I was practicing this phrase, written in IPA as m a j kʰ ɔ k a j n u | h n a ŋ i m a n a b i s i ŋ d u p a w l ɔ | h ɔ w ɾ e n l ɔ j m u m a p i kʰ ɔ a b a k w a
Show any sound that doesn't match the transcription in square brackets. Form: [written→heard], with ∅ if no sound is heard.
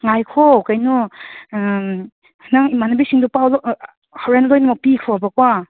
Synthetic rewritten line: [m→ŋ] a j kʰ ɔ k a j n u | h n a ŋ i m a n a b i s i ŋ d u p a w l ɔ | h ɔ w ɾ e n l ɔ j [m→n] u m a p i kʰ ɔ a b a k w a

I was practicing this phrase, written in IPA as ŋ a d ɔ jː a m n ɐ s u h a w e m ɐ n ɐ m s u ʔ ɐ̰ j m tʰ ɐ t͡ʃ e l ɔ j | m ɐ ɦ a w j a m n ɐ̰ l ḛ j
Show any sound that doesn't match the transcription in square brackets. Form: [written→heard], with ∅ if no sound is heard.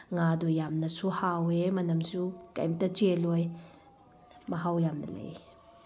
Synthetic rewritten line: ŋ a d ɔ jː a m n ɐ s u h a w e m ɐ n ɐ m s u [ʔ→k] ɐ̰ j m [tʰ→t] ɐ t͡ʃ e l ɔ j | m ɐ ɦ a w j a m n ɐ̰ l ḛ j

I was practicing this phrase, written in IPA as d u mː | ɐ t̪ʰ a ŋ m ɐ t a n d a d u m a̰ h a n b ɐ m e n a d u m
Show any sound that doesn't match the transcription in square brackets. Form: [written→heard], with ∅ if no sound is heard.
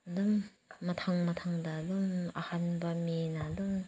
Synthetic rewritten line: d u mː | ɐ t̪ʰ a ŋ m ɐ [t→tʰ] a [n→ŋ] d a d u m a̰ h a n b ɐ m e n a d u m

